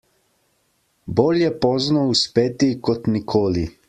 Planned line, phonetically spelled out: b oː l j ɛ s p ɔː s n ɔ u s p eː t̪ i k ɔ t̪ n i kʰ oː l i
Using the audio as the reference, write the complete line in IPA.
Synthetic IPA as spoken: b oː l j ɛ p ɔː z n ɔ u s p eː t̪ i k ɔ t̪ n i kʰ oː l i

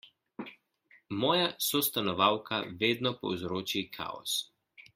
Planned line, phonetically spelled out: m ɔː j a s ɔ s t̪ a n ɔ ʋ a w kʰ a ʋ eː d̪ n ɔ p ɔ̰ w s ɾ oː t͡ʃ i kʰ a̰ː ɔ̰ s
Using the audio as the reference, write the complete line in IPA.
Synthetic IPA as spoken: m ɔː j a s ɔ s t̪ a n ɔ ʋ a w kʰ a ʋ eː d̪ n ɔ p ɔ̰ w z ɾ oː t͡ʃ i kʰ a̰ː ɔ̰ s

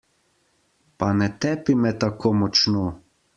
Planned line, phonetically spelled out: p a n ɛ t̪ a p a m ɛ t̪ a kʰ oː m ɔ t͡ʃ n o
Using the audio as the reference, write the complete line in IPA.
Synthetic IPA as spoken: p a n ɛ t̪ ɛ p i m ɛ t̪ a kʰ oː m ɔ t͡ʃ n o

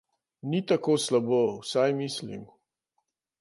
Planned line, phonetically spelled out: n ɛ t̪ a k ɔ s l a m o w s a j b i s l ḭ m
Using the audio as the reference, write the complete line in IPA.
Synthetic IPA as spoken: n i t̪ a k o s l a b o w s a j m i s l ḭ m

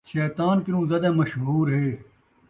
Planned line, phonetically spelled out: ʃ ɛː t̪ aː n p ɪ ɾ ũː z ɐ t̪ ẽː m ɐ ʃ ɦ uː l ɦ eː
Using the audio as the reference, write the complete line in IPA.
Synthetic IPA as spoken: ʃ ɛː t̪ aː n k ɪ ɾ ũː z ɐ d̪ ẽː m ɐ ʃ ɦ uː ɾ ɦ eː

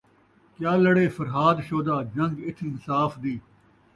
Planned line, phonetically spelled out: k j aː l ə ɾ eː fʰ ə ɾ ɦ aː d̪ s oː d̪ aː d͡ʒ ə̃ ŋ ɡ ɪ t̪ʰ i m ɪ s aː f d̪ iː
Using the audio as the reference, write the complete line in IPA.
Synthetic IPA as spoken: k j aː l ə ɽ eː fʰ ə ɾ ɦ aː d̪ ʃ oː d̪ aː d͡ʒ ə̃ ŋ ɡ ɪ t̪ʰ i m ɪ s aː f d̪ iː

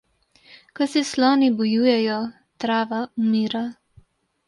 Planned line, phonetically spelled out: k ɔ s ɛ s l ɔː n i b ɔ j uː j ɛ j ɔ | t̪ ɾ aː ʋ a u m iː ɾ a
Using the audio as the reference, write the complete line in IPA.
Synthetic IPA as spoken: k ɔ s ɛ s l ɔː n i b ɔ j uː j ɛ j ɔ | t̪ ɾ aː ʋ a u m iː ɾ a

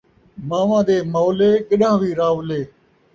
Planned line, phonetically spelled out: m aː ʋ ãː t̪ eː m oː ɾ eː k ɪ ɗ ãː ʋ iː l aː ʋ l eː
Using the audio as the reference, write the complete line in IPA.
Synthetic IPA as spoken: m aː ʋ ãː d̪ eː m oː l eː k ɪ ɗ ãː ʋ iː ɾ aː ʋ l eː

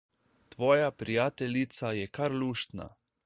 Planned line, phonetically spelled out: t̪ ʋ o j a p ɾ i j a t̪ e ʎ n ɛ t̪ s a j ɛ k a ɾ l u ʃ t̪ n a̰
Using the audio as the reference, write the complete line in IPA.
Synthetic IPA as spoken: t̪ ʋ o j a p ɾ i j a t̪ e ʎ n i t̪ s a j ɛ k a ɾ l u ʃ t̪ n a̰

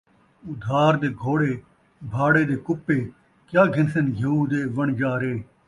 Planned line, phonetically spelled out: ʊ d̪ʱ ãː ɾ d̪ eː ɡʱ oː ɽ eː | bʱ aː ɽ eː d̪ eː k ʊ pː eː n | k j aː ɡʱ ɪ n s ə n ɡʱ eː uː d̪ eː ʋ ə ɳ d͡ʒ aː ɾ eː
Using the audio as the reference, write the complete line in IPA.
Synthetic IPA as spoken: ʊ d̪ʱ aː ɾ d̪ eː ɡʱ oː ɽ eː | bʱ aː ɽ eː d̪ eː k ʊ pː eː | k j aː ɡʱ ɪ n s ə n ɡʱ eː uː d̪ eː ʋ ə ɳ d͡ʒ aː ɾ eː

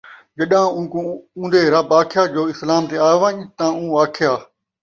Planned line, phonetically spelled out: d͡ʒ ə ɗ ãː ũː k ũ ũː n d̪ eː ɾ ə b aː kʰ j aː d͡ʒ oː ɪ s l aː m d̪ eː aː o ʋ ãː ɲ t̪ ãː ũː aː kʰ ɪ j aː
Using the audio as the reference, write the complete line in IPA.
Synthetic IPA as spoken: d͡ʒ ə ɗ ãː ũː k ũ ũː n d̪ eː ɾ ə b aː kʰ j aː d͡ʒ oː ɪ s l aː m t̪ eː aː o ʋ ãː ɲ t̪ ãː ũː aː kʰ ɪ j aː

